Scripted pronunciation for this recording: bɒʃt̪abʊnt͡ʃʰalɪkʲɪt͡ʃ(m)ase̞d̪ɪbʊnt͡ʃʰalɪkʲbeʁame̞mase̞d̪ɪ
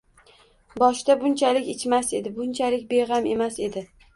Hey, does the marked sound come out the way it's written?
yes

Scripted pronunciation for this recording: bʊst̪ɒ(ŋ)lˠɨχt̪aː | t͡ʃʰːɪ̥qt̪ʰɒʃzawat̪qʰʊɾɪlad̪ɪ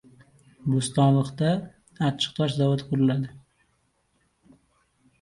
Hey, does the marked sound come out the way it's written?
no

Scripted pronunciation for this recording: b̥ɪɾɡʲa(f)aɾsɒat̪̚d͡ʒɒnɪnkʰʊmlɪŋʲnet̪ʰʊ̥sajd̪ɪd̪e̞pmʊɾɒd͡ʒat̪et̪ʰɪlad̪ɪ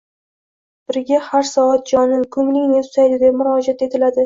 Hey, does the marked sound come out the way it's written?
no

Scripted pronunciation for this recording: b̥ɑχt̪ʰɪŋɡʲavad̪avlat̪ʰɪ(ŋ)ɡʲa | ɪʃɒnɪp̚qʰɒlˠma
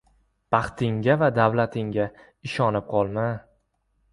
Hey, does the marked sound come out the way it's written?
yes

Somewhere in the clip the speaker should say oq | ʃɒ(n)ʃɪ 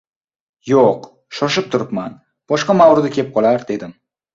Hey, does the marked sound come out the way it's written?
no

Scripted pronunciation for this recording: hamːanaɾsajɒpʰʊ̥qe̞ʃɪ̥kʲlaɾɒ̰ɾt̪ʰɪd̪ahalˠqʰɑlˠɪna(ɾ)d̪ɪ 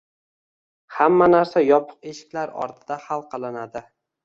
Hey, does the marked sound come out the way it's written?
no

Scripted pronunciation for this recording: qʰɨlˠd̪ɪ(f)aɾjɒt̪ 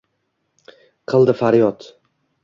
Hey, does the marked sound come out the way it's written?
yes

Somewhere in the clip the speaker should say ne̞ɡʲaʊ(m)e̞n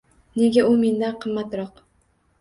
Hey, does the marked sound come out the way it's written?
yes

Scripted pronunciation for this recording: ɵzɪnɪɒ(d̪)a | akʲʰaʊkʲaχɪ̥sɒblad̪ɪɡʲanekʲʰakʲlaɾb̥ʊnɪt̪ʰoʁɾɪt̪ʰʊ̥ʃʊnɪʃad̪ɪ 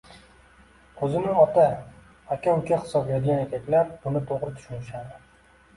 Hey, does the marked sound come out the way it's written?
no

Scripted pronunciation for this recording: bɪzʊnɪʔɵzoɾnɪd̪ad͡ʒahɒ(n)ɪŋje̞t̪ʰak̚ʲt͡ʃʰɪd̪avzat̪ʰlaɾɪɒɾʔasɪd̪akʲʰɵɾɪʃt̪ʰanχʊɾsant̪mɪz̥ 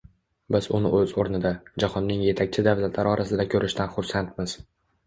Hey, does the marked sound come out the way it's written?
no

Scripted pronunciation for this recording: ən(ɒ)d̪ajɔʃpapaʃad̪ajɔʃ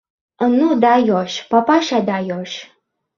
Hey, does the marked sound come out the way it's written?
no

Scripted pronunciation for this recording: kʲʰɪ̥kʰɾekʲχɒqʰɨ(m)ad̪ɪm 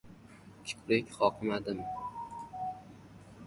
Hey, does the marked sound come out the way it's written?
yes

